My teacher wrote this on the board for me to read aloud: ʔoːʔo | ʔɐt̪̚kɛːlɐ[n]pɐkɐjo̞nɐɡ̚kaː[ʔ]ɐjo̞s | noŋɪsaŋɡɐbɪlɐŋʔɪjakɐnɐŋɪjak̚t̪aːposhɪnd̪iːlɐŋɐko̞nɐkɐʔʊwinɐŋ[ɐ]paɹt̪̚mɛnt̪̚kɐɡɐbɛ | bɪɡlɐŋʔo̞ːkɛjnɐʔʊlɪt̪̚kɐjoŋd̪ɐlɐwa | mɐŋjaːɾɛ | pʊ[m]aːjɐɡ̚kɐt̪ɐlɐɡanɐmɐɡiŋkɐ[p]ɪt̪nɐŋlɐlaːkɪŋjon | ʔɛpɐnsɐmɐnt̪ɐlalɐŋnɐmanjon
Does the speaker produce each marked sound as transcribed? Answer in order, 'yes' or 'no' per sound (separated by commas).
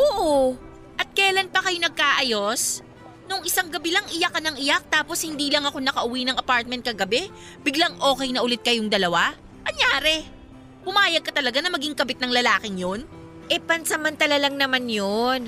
yes, yes, yes, yes, no